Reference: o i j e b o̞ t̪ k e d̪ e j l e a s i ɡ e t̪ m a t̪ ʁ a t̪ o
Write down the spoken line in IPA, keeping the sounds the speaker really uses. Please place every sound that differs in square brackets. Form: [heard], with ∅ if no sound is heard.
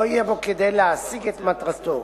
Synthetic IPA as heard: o i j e b o̞ [∅] k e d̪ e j l e a s i ɡ e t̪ m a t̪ ʁ a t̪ o